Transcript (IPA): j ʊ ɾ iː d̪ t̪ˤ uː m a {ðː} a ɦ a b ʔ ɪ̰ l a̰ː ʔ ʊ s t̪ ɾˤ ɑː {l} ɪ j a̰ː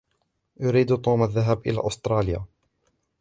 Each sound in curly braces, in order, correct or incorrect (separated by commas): correct, correct